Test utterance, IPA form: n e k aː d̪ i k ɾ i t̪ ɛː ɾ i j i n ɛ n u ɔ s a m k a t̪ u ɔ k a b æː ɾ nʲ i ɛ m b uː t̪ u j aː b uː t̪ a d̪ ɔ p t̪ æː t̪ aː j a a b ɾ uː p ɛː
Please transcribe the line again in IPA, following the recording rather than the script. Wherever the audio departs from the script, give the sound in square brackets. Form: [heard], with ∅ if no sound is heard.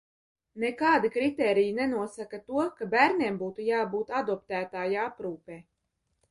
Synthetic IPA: n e k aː d̪ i k ɾ i t̪ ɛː ɾ i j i n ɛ n u ɔ s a [∅] k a t̪ u ɔ k a b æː ɾ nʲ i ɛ m b uː t̪ u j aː b uː t̪ a d̪ ɔ p t̪ æː t̪ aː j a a [p] ɾ uː p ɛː